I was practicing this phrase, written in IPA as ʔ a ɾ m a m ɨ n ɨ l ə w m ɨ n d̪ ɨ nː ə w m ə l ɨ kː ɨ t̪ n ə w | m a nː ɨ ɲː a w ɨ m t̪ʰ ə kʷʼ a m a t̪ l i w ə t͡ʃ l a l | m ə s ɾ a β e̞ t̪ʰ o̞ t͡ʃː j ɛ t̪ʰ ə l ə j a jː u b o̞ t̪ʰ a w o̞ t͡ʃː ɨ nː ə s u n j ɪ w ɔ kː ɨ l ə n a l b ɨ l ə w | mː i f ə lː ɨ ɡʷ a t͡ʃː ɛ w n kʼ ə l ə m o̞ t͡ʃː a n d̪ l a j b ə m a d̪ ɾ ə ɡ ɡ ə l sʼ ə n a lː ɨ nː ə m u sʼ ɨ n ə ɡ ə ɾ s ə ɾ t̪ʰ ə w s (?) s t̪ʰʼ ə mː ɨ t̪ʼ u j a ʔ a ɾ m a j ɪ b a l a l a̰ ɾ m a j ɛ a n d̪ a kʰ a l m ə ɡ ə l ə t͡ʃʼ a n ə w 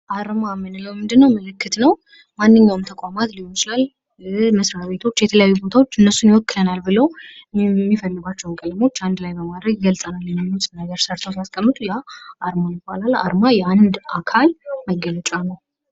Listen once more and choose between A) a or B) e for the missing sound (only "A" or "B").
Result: A